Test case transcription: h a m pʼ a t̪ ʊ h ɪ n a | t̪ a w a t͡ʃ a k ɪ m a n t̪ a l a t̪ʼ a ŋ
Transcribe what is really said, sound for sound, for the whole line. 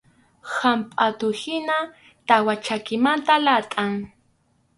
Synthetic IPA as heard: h a m pʼ a t̪ ʊ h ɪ n a | t̪ a w a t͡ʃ a k ɪ m a n t̪ a l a t̪ʼ a ŋ